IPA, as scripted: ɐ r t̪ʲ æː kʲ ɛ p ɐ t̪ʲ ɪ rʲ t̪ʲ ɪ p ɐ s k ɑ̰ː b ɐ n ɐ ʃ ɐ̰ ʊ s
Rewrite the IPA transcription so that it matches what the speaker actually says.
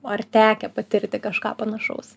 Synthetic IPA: ɐ r t̪ʲ æː kʲ ɛ p ɐ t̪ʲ ɪ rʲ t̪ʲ ɪ k ɐ ʃ k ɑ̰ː p ɐ n ɐ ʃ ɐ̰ ʊ s